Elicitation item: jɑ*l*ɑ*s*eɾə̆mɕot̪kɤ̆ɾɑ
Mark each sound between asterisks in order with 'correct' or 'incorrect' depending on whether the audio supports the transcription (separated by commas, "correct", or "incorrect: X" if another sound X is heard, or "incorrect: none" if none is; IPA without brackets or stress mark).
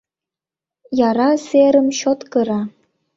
incorrect: ɾ, correct